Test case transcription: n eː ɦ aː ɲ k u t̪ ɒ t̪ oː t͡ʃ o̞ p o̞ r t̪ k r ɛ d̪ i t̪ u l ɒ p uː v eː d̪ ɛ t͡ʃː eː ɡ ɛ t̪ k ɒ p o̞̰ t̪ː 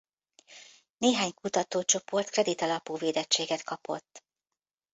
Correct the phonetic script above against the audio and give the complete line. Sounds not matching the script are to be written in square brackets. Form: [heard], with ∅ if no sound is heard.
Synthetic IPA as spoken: n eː ɦ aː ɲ k u t̪ ɒ t̪ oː t͡ʃ o̞ p o̞ r t̪ k r ɛ d̪ i t̪ [ɒ] l ɒ p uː v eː d̪ ɛ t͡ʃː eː ɡ ɛ t̪ k ɒ p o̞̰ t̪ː